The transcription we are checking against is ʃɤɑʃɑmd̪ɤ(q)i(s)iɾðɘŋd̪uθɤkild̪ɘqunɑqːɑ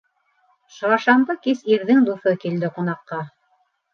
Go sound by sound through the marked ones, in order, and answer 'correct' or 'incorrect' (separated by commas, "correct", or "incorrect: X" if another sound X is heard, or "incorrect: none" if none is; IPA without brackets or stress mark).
incorrect: k, correct